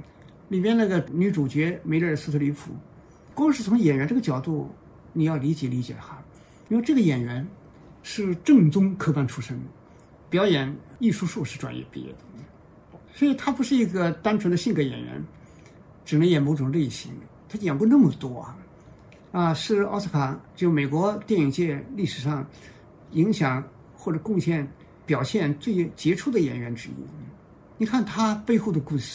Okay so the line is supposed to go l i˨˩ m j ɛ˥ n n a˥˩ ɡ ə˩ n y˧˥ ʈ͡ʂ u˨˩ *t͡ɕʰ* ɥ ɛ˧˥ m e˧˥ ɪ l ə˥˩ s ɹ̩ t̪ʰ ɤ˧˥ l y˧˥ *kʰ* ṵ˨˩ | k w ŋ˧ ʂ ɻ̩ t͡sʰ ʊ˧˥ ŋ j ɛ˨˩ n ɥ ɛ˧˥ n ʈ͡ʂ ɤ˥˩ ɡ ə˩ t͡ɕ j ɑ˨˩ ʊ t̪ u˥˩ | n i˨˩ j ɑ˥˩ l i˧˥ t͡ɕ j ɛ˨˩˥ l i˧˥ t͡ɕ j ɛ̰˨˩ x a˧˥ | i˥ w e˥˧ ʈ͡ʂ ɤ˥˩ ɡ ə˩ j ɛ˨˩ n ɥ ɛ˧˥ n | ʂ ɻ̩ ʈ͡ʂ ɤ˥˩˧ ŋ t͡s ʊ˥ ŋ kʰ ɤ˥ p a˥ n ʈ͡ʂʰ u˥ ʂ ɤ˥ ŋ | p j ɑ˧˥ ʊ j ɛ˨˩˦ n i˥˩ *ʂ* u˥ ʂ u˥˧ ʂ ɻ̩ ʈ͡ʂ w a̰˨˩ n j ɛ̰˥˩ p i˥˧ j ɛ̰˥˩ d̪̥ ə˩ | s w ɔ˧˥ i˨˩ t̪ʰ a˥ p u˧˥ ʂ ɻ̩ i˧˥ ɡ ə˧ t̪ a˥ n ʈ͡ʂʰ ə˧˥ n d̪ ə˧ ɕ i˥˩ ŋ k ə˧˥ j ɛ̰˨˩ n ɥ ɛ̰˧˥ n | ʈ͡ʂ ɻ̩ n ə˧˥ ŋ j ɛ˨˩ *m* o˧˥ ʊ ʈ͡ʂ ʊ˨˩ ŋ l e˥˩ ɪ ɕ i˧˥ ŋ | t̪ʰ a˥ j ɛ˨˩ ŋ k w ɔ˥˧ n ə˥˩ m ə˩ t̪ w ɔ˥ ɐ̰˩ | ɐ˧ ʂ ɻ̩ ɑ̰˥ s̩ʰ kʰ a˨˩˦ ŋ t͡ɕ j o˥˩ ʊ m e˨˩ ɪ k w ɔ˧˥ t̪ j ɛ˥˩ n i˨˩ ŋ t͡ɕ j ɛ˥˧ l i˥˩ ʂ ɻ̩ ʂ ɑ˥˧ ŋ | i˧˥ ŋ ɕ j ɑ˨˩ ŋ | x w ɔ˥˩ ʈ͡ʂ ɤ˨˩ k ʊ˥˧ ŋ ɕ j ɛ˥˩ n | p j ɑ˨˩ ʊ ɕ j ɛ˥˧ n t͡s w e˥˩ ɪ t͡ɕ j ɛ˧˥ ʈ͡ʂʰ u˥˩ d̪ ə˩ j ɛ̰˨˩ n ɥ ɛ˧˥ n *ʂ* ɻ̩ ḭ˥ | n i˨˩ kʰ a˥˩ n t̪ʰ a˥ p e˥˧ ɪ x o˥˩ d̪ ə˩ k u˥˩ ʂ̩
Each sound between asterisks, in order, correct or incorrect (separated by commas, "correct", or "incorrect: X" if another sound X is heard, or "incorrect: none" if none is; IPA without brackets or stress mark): incorrect: t͡ɕ, incorrect: pʰ, correct, correct, incorrect: ʈ͡ʂ